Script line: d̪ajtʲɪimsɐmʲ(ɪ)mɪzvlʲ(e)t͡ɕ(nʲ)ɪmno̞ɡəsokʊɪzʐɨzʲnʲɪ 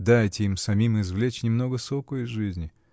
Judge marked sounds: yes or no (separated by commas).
no, yes, yes